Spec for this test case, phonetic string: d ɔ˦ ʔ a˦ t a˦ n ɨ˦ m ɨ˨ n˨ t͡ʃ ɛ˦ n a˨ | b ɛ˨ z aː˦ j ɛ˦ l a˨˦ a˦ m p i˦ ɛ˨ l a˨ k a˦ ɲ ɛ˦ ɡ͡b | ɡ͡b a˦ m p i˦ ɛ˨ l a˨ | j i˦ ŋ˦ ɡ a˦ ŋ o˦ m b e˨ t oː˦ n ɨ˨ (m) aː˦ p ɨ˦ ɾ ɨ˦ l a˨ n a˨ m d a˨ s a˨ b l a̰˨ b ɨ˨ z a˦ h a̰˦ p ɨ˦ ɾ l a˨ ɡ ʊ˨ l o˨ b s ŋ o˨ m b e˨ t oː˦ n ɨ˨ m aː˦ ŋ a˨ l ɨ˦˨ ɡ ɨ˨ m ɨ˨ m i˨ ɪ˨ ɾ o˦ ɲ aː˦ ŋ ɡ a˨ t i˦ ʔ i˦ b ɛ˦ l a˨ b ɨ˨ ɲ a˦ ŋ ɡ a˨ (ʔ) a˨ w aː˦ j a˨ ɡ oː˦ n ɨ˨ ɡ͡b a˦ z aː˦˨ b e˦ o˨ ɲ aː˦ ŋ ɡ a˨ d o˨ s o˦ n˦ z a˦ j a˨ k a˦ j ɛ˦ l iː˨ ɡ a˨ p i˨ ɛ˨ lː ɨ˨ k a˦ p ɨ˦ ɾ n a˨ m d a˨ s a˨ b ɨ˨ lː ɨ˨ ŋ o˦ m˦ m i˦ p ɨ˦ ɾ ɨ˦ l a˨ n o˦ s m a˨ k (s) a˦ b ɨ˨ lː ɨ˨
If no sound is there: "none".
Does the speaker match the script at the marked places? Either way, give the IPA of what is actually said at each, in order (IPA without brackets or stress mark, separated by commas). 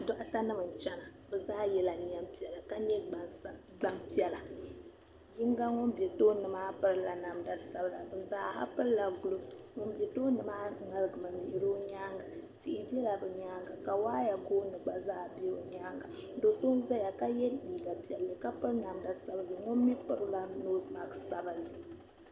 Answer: m, k, s